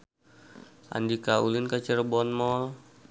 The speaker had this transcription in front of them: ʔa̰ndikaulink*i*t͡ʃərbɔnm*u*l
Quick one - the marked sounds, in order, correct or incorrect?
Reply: incorrect: a, incorrect: ɔ

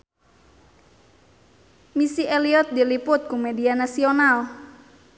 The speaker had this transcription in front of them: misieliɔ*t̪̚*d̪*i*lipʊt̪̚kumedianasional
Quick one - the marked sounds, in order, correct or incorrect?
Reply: correct, correct

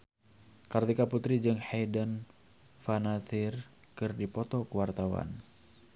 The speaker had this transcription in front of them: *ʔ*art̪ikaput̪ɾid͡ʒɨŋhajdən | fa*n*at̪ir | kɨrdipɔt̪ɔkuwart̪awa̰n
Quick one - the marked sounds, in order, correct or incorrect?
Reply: incorrect: k, correct

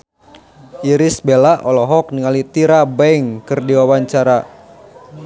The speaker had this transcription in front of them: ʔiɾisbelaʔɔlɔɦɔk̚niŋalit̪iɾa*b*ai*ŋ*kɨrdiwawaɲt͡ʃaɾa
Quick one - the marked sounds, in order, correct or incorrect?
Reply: correct, correct

